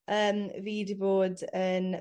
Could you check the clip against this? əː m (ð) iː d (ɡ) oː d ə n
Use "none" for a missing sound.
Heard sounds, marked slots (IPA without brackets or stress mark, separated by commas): v, b